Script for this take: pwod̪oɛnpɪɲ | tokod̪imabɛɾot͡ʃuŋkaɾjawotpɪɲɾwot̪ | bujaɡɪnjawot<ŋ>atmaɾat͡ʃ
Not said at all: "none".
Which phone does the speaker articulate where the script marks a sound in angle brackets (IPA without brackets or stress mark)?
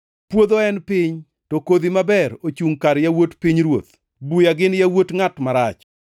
ŋ